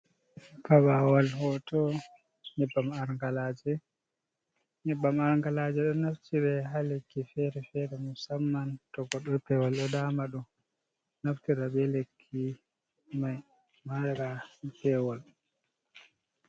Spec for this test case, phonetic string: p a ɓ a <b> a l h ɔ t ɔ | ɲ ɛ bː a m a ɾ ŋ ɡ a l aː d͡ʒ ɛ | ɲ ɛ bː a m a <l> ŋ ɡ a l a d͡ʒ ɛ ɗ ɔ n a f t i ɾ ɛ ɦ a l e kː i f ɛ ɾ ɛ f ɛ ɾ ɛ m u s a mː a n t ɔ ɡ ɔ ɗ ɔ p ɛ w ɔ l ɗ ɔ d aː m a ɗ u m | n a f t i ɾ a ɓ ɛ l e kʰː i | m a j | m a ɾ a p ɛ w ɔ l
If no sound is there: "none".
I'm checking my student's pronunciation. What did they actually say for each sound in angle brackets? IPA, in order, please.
w, ɾ

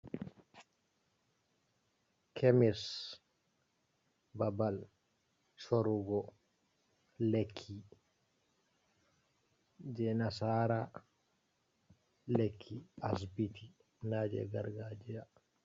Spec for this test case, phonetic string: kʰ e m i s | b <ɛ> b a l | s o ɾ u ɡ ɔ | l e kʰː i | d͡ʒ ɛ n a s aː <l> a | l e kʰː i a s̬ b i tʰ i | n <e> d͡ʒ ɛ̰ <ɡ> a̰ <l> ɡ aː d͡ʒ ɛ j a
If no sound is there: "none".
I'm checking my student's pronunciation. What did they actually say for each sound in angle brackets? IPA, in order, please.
a, ɾ, a, ɡ, ɾ

